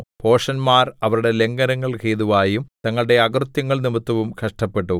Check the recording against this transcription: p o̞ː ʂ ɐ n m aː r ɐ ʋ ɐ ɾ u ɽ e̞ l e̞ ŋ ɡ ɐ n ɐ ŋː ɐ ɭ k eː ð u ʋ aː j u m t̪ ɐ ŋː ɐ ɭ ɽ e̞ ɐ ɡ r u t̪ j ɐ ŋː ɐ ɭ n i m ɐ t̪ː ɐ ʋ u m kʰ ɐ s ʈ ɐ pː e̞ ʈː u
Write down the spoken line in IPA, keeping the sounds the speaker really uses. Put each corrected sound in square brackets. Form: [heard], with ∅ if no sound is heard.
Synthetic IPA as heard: p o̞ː ʂ ɐ n m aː r ɐ ʋ ɐ ɾ u ɽ e̞ l e̞ ŋ ɡ ɐ n ɐ ŋː ɐ ɭ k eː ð u ʋ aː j u m t̪ ɐ ŋː ɐ ɭ ɽ e̞ ɐ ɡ r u t̪ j ɐ ŋː ɐ ɭ n i m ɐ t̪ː ɐ ʋ u m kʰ ɐ [ʂ] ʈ ɐ pː e̞ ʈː u